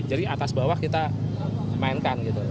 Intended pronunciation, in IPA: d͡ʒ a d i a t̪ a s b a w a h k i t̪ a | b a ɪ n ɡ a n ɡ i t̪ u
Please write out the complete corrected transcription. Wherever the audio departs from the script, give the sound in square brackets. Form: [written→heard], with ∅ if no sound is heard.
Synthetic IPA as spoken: d͡ʒ a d i a t̪ a s b a w a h k i t̪ a | [b→m] a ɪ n [ɡ→k] a n ɡ i t̪ u